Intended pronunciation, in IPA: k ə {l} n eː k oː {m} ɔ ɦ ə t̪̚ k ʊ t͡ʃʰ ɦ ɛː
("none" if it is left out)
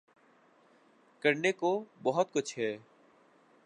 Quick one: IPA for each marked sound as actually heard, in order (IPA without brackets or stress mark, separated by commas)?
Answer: ɾ, b